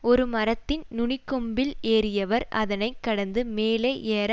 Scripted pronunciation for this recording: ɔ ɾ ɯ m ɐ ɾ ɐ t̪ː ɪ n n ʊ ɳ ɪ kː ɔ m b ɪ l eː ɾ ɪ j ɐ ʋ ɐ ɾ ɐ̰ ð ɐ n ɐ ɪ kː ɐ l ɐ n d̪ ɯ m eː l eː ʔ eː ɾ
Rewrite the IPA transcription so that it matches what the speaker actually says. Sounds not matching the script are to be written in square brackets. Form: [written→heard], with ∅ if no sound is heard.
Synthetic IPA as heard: ɔ ɾ ɯ m ɐ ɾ ɐ t̪ː ɪ n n ʊ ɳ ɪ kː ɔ m b ɪ l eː ɾ ɪ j ɐ ʋ ɐ ɾ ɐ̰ ð ɐ n ɐ ɪ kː ɐ [l→ɽ] ɐ n d̪ ɯ m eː l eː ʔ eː ɾ